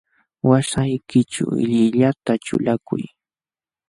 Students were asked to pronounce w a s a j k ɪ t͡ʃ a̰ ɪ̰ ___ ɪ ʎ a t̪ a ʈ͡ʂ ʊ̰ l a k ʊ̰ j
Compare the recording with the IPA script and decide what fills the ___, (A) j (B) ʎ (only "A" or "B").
B